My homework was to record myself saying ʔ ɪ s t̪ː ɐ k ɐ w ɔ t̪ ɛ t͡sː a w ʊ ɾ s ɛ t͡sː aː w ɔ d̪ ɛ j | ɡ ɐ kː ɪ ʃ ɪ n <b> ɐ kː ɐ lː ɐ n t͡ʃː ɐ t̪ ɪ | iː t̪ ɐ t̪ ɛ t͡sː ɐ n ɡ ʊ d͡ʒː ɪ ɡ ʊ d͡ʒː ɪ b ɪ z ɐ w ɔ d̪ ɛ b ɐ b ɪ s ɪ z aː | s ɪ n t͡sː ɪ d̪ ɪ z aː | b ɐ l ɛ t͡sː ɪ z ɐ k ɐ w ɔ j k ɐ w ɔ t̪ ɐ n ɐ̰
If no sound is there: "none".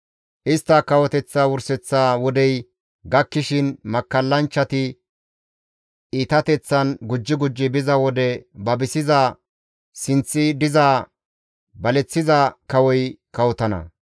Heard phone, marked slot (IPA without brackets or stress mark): m